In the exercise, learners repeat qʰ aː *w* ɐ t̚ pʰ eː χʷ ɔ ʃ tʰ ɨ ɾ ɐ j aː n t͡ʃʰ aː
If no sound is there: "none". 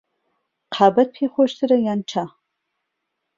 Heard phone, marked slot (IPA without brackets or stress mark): b